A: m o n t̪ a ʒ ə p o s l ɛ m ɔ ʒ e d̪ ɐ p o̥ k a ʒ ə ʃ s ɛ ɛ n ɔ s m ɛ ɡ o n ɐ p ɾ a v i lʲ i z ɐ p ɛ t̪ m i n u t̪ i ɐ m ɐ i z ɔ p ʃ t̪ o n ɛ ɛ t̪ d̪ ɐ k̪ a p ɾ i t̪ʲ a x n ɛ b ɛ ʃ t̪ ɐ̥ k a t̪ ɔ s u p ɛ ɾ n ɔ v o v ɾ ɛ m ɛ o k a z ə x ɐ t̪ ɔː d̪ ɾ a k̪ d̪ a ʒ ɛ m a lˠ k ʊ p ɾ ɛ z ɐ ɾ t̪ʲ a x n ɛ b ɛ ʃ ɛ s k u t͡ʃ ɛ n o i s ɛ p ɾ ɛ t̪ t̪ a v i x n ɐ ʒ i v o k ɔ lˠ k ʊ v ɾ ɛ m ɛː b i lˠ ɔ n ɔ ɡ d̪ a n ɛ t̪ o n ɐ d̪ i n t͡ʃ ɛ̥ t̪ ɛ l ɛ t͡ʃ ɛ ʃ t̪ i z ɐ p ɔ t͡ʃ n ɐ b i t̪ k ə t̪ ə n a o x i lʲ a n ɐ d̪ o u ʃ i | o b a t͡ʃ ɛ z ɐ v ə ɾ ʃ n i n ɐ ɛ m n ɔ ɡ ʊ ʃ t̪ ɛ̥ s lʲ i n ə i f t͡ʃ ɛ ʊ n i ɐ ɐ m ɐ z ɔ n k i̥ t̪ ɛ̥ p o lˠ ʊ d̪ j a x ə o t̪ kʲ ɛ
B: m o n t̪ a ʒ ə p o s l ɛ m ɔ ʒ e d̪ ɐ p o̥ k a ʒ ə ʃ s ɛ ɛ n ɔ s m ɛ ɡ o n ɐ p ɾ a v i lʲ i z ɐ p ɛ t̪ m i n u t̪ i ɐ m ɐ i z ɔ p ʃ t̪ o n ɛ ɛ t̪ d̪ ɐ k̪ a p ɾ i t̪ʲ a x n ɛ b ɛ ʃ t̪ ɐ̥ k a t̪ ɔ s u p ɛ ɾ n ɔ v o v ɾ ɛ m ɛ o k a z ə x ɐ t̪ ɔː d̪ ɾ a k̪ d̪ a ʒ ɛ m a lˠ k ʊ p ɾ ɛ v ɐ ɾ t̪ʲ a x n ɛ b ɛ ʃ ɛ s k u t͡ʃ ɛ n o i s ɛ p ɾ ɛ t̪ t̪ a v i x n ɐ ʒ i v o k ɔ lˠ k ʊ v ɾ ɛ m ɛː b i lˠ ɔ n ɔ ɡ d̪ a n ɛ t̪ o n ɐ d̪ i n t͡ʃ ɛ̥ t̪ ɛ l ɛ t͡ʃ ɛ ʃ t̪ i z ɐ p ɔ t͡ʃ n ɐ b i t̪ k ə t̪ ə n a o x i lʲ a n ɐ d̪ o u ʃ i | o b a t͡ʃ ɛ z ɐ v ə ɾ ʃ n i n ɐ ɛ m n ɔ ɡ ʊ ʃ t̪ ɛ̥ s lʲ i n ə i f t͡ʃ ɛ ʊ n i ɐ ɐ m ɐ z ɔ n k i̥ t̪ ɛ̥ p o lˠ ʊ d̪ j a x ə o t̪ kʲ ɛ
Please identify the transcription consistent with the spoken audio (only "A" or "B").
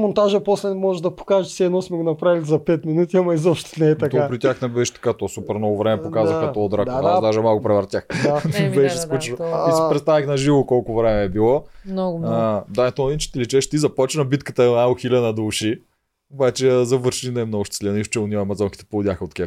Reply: B